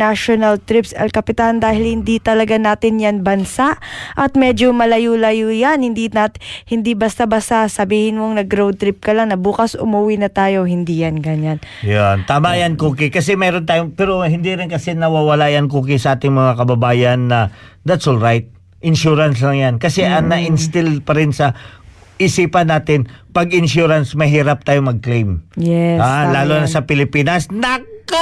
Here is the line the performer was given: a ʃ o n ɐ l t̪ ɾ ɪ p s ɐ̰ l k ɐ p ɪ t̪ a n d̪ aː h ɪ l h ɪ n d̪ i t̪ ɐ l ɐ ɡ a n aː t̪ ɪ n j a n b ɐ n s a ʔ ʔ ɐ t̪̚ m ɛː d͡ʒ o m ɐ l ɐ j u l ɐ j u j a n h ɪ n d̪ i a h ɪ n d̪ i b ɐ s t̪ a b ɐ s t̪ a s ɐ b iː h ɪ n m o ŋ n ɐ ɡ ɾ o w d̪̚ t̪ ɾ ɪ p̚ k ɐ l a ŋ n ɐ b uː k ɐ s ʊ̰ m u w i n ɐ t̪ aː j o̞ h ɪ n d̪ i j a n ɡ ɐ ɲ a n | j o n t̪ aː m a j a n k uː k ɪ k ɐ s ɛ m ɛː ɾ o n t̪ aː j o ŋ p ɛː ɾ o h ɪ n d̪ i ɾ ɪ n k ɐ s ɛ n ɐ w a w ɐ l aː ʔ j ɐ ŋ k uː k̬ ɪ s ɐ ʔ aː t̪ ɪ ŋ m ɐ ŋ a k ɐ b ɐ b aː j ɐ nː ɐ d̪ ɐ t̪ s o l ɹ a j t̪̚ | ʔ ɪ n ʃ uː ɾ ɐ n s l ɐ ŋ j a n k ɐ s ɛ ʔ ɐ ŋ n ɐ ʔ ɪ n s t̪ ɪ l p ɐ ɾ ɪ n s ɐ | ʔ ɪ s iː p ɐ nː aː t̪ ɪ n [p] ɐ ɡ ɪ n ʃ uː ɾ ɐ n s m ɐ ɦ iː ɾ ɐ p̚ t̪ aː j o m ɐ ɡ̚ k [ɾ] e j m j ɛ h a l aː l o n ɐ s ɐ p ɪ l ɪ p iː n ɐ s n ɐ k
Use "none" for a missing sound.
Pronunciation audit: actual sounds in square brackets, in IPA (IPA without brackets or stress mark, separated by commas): p, l